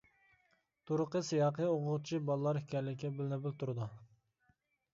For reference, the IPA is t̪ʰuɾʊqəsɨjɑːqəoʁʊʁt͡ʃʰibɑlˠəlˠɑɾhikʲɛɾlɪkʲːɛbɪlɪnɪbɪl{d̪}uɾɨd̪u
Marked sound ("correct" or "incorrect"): incorrect